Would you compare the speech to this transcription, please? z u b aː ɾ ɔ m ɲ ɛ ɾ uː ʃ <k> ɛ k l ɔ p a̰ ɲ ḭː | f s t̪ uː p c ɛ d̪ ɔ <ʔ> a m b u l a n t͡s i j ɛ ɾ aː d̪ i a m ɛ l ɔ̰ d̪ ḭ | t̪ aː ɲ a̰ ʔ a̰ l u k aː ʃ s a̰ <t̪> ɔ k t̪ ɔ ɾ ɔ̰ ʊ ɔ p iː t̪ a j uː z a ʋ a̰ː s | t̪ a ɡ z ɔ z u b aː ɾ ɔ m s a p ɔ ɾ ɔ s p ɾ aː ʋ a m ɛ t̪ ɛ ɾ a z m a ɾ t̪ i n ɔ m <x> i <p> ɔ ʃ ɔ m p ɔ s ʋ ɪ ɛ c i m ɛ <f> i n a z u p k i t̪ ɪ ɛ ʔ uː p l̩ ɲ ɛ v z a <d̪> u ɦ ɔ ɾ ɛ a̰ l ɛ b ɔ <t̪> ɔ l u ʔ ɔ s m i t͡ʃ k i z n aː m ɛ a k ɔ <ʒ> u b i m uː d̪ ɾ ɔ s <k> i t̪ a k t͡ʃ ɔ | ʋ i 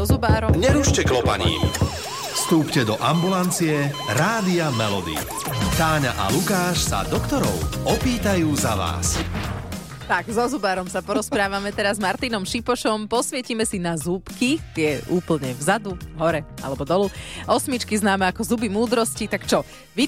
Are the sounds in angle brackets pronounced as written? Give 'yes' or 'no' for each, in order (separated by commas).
no, yes, no, no, yes, no, yes, no, no, no